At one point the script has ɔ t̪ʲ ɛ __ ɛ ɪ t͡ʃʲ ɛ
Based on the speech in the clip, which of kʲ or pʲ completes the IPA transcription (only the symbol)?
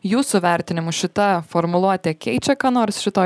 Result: kʲ